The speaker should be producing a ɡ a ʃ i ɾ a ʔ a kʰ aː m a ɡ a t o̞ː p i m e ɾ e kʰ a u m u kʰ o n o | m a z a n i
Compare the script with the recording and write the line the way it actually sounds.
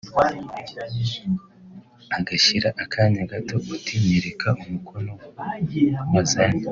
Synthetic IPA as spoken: a ɡ a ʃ i ɾ a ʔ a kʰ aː ɲ a ɡ a t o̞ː t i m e ɾ e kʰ a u m u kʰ o n o | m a z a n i